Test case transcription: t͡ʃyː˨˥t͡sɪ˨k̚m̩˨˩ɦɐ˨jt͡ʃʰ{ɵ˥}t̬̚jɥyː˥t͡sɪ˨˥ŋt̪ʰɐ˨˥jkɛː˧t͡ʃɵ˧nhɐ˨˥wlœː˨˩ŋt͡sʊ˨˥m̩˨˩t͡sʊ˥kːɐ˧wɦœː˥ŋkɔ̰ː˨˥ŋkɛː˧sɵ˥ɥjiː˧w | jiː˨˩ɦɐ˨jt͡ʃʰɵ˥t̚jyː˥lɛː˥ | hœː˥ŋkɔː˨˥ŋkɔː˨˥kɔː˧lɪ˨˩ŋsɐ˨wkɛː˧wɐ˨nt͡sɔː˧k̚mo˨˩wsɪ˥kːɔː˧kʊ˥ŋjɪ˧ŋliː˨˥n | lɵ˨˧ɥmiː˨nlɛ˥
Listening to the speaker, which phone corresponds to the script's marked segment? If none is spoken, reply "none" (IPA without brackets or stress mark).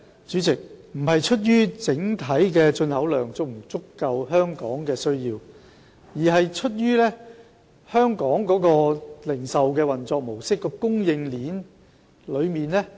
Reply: ɵ˥